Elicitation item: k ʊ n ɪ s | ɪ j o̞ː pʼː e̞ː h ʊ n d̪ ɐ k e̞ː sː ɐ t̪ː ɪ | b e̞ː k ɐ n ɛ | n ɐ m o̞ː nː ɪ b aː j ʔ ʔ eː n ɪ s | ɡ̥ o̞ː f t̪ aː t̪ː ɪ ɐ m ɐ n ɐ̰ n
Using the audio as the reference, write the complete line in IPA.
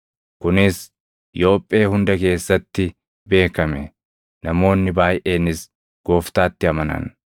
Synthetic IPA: k ʊ n ɪ s | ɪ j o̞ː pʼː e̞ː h ʊ n d̪ ɐ k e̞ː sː ɐ t̪ː ɪ | b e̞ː k ɐ m ɛ | n ɐ m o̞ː nː ɪ b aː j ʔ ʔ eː n ɪ s | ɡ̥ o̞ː f t̪ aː t̪ː ɪ ɐ m ɐ n ɐ̰ n